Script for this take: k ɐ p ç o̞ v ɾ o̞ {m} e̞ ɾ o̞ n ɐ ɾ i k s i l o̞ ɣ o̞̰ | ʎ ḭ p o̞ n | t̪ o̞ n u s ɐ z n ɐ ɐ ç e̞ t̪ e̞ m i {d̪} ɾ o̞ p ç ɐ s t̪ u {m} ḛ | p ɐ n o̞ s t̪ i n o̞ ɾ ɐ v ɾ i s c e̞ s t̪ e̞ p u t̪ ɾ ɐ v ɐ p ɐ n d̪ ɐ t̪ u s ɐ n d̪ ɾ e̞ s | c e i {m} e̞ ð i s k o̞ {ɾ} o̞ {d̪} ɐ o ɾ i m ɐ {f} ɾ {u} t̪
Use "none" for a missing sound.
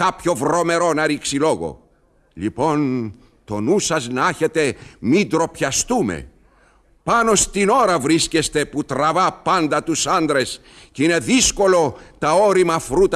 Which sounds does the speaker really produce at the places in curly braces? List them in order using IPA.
m, d̪, m, n, l, t̪, f, u

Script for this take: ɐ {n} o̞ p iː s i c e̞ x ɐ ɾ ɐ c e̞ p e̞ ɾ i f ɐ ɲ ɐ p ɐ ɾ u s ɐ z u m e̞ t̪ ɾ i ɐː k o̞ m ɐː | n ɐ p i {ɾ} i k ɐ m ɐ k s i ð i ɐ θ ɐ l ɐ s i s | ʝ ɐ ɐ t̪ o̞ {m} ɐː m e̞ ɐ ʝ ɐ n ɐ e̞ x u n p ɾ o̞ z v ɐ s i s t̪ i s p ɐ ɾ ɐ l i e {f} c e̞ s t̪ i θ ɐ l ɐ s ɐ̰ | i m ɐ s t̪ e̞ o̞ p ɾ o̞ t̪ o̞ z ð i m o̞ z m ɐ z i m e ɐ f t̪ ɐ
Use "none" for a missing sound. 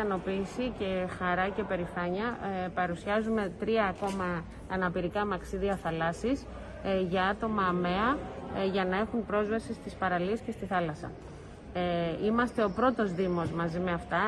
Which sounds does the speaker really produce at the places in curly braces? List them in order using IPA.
n, ɾ, m, s

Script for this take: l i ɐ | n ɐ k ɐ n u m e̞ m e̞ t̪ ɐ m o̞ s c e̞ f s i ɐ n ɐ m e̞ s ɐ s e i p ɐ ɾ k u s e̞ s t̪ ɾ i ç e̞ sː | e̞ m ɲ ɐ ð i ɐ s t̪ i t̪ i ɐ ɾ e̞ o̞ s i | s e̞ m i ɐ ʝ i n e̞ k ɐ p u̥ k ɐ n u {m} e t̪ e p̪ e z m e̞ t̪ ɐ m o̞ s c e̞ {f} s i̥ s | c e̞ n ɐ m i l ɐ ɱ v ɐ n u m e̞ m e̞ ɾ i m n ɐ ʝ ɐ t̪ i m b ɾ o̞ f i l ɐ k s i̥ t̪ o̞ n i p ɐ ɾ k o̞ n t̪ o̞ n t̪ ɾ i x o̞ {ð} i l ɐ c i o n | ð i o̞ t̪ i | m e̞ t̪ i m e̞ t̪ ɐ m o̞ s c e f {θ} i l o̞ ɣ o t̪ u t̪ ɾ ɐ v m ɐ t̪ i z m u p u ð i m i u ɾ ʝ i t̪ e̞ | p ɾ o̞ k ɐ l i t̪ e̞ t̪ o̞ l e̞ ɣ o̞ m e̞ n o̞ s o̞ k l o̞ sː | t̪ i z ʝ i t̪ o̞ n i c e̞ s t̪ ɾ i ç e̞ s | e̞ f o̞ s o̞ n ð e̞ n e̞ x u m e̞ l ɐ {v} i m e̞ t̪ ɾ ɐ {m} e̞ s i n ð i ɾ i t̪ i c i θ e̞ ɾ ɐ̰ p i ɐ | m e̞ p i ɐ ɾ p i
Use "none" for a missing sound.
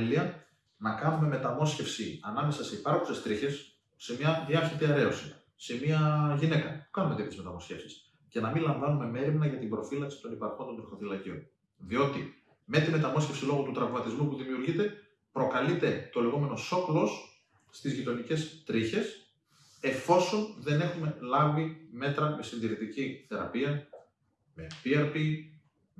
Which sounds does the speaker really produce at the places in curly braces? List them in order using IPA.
m, f, θ, s, v, m

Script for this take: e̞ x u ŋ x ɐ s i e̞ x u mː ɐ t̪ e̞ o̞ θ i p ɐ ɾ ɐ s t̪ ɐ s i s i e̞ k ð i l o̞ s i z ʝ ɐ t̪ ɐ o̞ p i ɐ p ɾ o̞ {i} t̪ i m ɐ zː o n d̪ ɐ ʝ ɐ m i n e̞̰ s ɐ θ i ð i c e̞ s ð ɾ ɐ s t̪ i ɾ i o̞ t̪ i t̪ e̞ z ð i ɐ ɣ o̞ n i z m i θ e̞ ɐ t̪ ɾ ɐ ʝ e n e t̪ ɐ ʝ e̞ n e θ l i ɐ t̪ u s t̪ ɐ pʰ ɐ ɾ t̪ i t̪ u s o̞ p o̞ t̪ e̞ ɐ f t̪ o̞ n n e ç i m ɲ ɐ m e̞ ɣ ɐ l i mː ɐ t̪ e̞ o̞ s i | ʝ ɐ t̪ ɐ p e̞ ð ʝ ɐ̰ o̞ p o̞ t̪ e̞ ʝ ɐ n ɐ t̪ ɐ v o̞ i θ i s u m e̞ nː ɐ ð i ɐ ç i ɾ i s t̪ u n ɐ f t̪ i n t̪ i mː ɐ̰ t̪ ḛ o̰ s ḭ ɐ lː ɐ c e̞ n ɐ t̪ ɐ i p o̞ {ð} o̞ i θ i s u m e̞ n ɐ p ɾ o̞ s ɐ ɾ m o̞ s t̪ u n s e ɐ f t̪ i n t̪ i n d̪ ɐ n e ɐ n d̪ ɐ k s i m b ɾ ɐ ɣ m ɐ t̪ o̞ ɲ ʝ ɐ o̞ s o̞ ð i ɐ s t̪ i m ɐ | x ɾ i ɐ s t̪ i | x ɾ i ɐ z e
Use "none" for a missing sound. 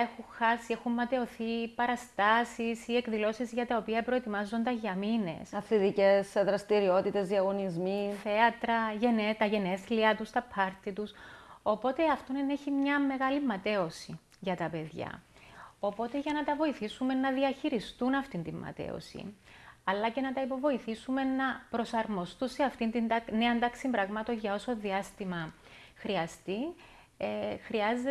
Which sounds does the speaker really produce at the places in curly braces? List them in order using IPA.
e, v

